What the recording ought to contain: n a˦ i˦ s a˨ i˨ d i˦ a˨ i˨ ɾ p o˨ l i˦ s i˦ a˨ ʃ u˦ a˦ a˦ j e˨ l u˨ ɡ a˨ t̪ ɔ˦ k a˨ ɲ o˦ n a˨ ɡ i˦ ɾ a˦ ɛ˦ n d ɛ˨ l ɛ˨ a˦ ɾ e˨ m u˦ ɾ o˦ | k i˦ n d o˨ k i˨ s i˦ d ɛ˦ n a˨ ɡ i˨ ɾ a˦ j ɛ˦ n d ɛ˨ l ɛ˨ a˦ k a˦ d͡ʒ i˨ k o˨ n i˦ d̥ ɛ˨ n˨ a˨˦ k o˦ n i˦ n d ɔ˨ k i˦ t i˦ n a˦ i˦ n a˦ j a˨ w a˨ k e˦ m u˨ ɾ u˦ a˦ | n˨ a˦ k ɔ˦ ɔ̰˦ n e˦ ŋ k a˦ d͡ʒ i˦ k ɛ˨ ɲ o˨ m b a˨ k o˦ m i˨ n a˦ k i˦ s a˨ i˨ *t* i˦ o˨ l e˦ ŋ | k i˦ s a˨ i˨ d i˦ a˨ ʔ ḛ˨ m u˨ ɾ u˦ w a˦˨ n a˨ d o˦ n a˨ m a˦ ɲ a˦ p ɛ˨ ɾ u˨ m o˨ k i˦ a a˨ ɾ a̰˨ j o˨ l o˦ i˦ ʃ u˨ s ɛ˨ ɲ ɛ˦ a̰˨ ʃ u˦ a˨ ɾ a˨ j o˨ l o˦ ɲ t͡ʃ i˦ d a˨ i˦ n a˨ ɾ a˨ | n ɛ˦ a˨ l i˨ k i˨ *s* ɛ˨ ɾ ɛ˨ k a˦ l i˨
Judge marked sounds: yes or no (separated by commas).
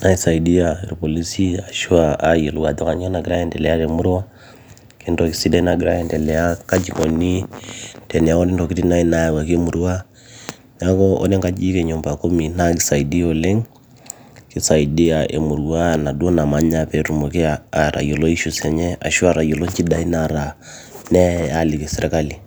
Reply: no, yes